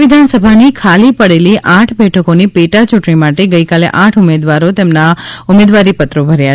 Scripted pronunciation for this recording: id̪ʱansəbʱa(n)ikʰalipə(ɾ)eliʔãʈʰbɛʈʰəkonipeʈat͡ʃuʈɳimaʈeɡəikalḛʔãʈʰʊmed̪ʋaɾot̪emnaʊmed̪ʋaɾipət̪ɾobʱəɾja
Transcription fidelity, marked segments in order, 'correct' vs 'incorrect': correct, incorrect

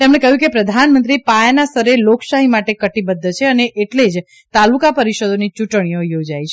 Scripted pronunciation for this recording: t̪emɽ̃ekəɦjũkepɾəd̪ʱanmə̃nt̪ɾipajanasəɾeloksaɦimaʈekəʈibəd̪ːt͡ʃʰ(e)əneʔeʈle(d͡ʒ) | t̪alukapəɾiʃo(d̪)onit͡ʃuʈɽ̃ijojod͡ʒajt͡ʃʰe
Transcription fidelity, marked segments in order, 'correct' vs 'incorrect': correct, correct, correct

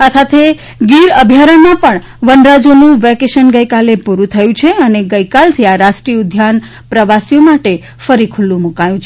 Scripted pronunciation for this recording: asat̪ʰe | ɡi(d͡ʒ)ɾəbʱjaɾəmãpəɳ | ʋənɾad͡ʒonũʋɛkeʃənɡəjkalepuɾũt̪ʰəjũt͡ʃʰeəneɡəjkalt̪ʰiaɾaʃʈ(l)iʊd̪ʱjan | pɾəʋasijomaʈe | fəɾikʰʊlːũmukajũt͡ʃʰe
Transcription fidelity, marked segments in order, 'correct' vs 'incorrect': incorrect, incorrect

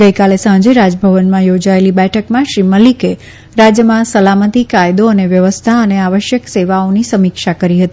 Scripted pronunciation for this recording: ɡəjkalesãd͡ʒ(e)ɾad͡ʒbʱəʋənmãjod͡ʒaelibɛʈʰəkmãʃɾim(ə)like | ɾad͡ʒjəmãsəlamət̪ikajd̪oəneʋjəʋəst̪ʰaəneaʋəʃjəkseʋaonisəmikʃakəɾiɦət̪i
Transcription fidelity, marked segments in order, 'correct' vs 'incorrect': correct, correct

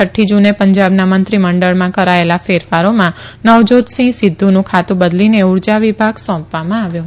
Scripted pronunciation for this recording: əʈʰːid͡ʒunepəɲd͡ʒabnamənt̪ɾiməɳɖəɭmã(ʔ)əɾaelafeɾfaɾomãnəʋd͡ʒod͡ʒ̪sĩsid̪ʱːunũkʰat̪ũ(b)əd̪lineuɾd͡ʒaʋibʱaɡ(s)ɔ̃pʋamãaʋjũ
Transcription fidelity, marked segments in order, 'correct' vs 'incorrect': incorrect, correct, correct

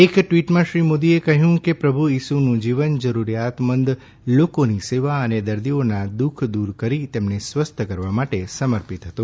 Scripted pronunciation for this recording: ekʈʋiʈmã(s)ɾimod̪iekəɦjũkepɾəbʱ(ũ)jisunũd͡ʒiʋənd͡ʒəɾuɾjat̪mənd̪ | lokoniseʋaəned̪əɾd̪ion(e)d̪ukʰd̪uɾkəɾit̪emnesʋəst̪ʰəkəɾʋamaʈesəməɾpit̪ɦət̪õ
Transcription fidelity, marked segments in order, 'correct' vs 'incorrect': incorrect, incorrect, incorrect

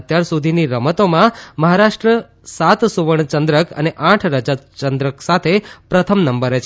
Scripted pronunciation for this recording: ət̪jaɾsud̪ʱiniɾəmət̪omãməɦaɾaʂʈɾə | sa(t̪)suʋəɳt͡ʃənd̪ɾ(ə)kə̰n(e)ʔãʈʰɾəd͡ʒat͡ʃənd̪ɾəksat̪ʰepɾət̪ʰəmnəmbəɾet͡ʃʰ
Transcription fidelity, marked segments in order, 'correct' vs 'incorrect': correct, correct, correct

